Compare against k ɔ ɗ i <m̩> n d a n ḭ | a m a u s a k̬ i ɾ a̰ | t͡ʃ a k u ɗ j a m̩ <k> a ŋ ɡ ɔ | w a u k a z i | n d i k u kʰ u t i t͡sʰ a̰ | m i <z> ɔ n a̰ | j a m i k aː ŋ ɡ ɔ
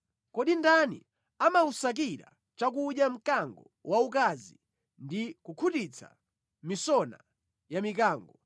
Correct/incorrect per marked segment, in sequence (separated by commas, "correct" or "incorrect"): incorrect, correct, incorrect